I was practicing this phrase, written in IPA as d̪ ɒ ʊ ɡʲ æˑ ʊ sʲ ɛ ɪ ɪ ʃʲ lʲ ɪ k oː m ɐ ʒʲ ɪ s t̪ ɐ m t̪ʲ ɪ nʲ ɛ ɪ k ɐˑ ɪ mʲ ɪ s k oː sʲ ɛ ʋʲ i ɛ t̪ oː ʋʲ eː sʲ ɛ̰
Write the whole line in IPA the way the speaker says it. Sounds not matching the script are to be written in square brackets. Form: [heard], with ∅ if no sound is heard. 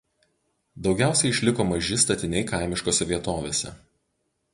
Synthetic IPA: d̪ ɒ ʊ ɡʲ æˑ ʊ sʲ ɛ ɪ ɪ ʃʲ lʲ ɪ k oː m ɐ ʒʲ ɪ s t̪ ɐ [∅] t̪ʲ ɪ nʲ ɛ ɪ k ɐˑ ɪ mʲ ɪ [ʃ] k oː sʲ ɛ ʋʲ i ɛ t̪ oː ʋʲ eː sʲ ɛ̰